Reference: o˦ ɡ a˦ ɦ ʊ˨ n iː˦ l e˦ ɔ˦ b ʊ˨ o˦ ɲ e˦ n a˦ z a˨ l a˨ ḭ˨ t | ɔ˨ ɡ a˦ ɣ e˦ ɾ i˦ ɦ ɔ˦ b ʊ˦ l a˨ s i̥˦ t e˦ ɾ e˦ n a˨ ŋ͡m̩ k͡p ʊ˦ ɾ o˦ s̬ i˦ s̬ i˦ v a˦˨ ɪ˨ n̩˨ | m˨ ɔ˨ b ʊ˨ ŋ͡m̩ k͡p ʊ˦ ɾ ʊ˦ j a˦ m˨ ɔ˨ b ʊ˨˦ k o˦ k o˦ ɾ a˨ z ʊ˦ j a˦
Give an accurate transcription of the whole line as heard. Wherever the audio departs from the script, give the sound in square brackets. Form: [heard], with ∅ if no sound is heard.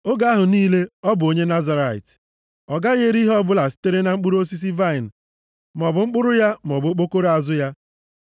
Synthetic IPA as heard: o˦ ɡ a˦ ɦ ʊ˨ n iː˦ l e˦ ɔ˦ b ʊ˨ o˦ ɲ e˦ n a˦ z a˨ [ɾ] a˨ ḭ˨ t | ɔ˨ ɡ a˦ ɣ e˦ ɾ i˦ ɦ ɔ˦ b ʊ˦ l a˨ s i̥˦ t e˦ ɾ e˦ n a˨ ŋ͡m̩ k͡p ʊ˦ ɾ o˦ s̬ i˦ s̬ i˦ v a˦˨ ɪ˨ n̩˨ | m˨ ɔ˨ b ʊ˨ ŋ͡m̩ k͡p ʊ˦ ɾ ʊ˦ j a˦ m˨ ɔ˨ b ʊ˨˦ [k͡p] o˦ k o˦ ɾ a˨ z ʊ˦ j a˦